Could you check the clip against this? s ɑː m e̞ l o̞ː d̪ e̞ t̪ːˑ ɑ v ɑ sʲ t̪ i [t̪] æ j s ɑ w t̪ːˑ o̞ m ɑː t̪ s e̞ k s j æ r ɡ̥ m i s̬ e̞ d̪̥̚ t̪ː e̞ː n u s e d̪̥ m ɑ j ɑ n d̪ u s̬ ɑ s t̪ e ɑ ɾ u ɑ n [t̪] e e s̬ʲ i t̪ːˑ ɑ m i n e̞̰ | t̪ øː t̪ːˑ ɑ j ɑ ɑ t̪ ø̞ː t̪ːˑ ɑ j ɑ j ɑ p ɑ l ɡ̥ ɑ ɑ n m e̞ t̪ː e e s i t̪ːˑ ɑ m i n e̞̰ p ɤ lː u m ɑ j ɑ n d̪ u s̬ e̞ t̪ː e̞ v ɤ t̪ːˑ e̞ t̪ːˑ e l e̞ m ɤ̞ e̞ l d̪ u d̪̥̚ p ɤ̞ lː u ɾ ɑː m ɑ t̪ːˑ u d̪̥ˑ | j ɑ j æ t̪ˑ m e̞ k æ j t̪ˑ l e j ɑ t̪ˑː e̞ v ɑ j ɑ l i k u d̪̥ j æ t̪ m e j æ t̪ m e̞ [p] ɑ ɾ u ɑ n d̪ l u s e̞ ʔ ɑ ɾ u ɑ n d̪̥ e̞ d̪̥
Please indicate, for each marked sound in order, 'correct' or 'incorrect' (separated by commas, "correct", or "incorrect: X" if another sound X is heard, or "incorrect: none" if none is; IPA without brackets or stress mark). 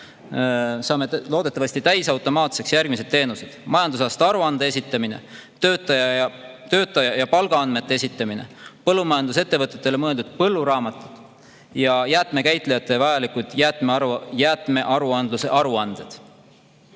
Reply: correct, incorrect: d̪, incorrect: ʔ